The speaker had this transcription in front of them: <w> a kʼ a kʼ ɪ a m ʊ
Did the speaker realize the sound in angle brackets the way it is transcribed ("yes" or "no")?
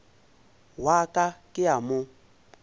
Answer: yes